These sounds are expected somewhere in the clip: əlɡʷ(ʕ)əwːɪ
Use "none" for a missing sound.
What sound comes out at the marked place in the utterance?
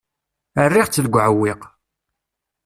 ʕ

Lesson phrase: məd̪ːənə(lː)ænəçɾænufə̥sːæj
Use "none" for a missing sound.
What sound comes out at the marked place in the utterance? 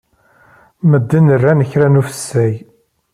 rː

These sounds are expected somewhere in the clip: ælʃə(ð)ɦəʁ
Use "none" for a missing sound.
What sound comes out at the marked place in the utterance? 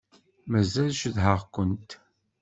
ð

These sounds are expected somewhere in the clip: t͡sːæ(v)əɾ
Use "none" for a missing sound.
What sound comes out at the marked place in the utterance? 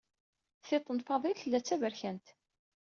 v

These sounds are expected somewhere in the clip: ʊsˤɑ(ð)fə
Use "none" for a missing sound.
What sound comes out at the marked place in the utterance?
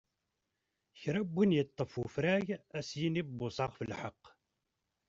ʁ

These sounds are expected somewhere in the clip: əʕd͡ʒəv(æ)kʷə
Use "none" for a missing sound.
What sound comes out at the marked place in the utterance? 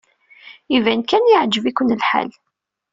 i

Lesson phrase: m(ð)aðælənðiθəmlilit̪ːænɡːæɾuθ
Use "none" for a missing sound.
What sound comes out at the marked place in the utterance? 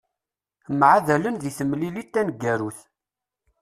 ʕ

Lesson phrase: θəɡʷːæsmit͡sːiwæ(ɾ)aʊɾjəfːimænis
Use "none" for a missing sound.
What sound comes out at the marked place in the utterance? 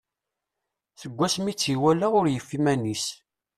l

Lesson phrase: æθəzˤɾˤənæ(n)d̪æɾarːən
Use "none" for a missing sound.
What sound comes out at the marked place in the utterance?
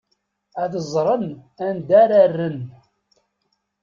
n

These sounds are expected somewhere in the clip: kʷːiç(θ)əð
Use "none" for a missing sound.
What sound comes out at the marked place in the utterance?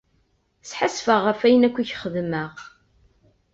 χ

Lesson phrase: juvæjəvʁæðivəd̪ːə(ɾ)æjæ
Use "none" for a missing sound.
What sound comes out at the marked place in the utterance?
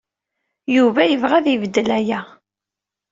l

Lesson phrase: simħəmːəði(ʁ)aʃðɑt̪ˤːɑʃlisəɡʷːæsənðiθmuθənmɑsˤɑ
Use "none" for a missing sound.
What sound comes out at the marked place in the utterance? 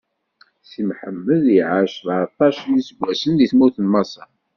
ʕ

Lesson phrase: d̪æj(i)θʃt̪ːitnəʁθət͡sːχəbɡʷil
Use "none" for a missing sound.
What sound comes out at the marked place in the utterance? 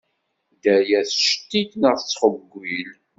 æ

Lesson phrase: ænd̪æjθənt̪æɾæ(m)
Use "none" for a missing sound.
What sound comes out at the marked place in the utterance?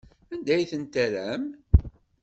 m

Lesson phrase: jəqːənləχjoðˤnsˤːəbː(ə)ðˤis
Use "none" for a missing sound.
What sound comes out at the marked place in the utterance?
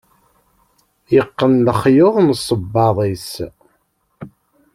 ɑ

